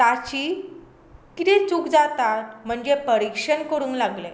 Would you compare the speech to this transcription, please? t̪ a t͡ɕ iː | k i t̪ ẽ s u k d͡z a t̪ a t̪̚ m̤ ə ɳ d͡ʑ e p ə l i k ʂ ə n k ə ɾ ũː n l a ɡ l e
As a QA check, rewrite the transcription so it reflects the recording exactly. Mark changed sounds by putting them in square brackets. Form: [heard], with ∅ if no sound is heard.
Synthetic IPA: t̪ a t͡ɕ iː | k i t̪ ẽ [t͡s] u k d͡z a t̪ a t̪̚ m̤ ə ɳ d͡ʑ e p ə [ɾ] i k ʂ ə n k ə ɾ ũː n l a ɡ l e